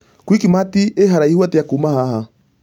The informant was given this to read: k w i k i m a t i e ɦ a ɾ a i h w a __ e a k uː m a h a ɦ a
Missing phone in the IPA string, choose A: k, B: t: B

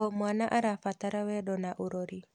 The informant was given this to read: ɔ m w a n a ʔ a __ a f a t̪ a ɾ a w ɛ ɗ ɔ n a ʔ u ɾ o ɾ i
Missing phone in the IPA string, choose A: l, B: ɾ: B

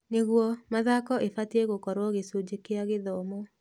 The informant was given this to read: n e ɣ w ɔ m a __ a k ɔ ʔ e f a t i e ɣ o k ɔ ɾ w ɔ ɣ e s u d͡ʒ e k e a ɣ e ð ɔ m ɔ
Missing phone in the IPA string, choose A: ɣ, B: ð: B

